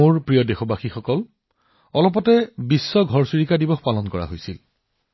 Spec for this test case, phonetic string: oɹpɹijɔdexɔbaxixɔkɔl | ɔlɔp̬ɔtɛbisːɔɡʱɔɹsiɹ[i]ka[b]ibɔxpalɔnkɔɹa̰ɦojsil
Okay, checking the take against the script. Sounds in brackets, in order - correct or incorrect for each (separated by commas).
correct, incorrect